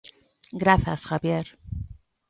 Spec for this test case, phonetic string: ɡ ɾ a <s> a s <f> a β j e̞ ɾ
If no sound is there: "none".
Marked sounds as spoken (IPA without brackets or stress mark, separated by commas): θ, x